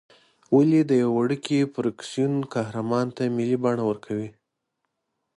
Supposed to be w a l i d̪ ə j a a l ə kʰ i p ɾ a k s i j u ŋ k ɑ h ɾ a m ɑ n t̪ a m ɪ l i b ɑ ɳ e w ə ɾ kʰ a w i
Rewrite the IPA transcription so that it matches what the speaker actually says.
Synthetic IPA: w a l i d̪ ə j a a ɽ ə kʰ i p ɾ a k s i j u n k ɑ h ɾ a m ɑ n t̪ a m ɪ l i b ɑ ɳ a w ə ɾ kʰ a w i